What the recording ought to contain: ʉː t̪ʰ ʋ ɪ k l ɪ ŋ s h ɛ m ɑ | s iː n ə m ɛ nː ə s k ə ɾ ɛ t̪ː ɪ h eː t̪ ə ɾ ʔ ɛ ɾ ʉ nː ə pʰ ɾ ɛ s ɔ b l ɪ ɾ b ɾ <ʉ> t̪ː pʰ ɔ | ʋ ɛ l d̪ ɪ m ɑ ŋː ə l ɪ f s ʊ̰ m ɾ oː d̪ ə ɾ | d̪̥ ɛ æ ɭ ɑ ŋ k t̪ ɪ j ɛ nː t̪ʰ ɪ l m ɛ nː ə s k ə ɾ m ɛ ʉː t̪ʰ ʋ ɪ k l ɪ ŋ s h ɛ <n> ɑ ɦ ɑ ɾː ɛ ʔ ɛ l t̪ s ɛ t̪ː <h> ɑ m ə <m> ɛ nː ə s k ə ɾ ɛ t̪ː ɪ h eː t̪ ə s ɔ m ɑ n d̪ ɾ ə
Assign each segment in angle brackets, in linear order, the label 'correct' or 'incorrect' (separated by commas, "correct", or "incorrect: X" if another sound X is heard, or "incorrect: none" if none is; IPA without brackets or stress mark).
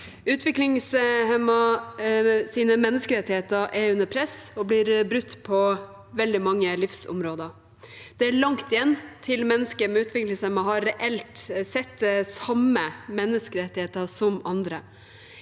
correct, incorrect: m, incorrect: s, correct